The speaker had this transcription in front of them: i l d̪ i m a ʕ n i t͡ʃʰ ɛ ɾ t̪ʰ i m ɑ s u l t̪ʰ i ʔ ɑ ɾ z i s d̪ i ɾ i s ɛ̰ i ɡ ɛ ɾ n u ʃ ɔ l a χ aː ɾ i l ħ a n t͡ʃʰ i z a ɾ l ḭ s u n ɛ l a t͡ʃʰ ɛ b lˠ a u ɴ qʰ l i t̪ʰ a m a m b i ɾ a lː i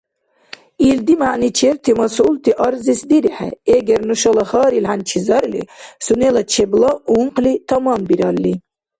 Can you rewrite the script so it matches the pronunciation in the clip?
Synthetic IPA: i l d̪ i m a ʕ n i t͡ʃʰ ɛ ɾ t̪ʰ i m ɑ s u l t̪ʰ i ʔ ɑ ɾ z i s d̪ i ɾ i ħ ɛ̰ ɛ ɡ ɛ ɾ n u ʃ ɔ l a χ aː ɾ i l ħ a n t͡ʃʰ i z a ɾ l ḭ s u n ɛ l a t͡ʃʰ ɛ b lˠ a u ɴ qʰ l i t̪ʰ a m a m b i ɾ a lː i